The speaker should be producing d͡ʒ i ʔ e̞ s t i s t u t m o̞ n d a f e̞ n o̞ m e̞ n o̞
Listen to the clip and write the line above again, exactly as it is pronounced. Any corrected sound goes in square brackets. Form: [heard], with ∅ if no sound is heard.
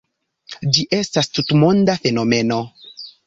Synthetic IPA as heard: d͡ʒ i ʔ e̞ s t [a] s t u t m o̞ n d a f e̞ n o̞ m e̞ n o̞